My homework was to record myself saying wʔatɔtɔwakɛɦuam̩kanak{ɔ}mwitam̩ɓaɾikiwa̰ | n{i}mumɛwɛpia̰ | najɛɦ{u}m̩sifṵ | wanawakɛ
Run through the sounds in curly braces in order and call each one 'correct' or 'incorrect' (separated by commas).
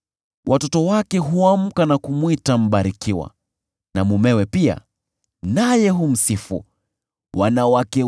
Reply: incorrect, incorrect, correct